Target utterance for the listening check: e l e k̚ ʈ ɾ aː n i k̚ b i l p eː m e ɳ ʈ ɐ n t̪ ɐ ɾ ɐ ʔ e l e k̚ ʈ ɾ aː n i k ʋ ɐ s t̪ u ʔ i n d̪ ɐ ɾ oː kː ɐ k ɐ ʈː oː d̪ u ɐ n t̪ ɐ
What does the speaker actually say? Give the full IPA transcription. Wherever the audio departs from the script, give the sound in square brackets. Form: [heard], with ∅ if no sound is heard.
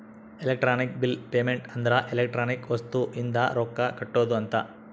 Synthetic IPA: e l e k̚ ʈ ɾ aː n i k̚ b i l p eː m e ɳ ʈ ɐ n [d̪] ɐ ɾ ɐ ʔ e l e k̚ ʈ ɾ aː n i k ʋ ɐ s t̪ u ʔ i n d̪ ɐ ɾ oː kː ɐ k ɐ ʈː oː d̪ u ɐ n t̪ ɐ